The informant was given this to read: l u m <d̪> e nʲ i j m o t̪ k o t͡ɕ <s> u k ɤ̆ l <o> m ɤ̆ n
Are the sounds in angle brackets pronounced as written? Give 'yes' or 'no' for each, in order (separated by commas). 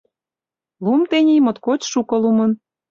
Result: no, no, no